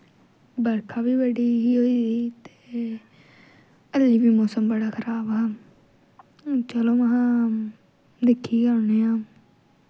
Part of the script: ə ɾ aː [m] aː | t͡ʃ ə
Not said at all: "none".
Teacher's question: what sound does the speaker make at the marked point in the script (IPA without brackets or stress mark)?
b